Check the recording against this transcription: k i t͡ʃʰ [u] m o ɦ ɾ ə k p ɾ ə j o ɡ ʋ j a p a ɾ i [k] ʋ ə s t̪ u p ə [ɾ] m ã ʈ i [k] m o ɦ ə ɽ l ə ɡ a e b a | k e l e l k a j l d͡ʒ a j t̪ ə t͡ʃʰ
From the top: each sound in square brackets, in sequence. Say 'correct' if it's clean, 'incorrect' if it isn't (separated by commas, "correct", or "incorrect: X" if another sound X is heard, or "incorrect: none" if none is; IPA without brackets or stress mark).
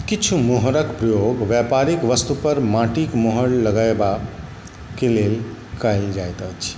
correct, correct, correct, correct